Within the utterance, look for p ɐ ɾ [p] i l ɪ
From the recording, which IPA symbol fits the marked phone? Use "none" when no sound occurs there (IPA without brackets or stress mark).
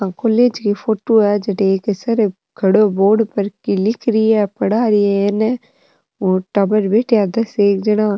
k